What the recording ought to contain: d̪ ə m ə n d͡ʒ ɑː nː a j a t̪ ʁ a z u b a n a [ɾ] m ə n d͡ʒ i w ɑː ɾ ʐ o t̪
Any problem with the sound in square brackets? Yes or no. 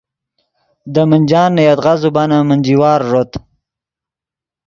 yes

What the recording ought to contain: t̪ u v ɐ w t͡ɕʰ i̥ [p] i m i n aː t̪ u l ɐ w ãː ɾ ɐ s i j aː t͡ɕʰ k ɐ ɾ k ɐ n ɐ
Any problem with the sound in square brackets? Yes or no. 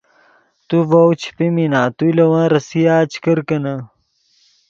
no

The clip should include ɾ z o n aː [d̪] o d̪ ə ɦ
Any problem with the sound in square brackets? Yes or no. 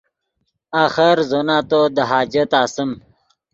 yes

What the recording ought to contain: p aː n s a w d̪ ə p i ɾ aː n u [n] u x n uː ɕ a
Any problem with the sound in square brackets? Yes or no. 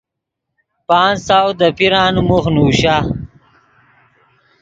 yes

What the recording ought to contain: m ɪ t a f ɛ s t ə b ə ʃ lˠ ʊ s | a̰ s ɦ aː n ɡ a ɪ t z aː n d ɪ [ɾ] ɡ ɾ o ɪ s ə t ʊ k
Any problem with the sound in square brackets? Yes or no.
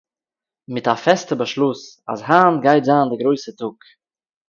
yes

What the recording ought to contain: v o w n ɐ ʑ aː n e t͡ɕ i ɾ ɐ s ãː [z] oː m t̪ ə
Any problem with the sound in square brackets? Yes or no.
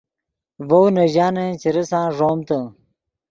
yes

